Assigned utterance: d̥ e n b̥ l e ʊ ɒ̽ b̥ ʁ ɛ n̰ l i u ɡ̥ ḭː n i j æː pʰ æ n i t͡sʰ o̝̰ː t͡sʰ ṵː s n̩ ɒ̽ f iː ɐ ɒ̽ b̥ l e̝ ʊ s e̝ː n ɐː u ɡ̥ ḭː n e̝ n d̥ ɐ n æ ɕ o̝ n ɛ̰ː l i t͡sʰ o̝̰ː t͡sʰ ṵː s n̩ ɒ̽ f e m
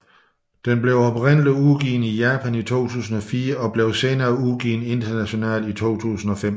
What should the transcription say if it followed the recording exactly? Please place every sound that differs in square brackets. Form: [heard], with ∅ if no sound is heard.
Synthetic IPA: d̥ e n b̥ l e ʊ ɒ̽ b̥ ʁ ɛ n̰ l i u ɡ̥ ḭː n i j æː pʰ æ n i t͡sʰ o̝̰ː t͡sʰ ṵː s n̩ ɒ̽ f iː ɐ ɒ̽ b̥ l e̝ ʊ s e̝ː n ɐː u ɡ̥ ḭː n e̝ n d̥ ɐ n æ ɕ o̝ n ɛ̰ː l i t͡sʰ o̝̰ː t͡sʰ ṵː s n̩ ɒ̽ f e m